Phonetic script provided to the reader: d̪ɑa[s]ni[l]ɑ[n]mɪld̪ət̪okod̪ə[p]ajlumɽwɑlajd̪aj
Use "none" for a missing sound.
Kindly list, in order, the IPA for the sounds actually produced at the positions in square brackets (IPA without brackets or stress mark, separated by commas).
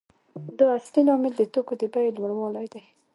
s, l, none, b